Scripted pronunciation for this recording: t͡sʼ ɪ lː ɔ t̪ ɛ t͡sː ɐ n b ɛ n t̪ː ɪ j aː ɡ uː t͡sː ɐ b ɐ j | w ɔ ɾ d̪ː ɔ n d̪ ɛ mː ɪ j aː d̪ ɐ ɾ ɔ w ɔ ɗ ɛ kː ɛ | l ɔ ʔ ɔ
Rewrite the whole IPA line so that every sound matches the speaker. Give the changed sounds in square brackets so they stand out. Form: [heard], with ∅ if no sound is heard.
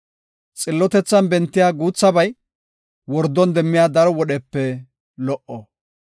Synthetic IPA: t͡sʼ ɪ lː ɔ t̪ ɛ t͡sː ɐ n b ɛ n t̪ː ɪ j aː ɡ uː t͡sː ɐ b ɐ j | w ɔ ɾ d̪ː ɔ n d̪ ɛ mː ɪ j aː d̪ ɐ ɾ ɔ w ɔ ɗ ɛ [pː] ɛ | l ɔ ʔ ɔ